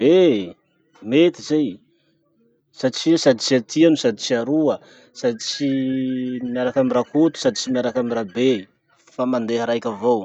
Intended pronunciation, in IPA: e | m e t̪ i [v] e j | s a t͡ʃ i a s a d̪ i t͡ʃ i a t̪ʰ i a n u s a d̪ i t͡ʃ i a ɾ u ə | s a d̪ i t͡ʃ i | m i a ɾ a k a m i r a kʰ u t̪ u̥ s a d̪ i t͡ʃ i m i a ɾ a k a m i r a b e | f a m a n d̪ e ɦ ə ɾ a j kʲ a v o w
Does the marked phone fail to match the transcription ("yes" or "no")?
yes